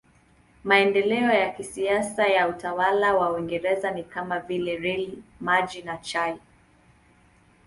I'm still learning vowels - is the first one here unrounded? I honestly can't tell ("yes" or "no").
yes